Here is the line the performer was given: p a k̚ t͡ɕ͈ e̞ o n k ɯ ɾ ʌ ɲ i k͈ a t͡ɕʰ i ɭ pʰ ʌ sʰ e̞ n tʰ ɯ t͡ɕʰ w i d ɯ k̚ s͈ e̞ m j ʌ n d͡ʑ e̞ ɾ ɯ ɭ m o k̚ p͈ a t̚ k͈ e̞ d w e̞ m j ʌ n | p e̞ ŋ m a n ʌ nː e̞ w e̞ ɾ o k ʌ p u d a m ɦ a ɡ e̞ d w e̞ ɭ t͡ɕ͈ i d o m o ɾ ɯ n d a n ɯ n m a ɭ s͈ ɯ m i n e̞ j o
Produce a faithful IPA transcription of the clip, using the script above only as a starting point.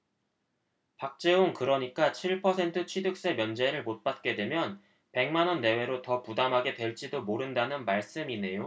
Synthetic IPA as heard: p a k̚ t͡ɕ͈ e̞ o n k ɯ ɾ ʌ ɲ i k͈ a t͡ɕʰ i ɭ pʰ ʌ sʰ e̞ n tʰ ɯ t͡ɕʰ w i d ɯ k̚ s͈ e̞ m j ʌ n d͡ʑ e̞ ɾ ɯ ɭ m o t̚ p͈ a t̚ k͈ e̞ d w e̞ m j ʌ n | p e̞ ŋ m a n ʌ nː e̞ w e̞ ɾ o t ʌ p u d a m ɦ a ɡ e̞ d w e̞ ɭ t͡ɕ͈ i d o m o ɾ ɯ n d a n ɯ n m a ɭ s͈ ɯ m i n e̞ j o